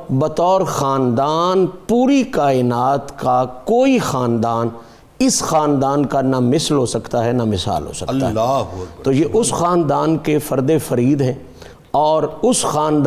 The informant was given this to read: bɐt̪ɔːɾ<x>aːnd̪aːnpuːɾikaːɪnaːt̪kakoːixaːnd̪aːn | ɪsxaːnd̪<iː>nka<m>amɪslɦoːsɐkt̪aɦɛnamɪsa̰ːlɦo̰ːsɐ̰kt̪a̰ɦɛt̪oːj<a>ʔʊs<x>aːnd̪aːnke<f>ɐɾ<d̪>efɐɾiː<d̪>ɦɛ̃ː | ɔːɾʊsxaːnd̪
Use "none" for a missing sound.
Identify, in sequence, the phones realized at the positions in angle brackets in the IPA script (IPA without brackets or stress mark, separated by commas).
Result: x, aː, n, e, x, f, d̪, d̪